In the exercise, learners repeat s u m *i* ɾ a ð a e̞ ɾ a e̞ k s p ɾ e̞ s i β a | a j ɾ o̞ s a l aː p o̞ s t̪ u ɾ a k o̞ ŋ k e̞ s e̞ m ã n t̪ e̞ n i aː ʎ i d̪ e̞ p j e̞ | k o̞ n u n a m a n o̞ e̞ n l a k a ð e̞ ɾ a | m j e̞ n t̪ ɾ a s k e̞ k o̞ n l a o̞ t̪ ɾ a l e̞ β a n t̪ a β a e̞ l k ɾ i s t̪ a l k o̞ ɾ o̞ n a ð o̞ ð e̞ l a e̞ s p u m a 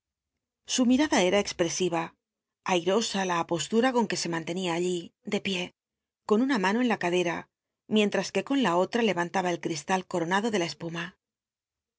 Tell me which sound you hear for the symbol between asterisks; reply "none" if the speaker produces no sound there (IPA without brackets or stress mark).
i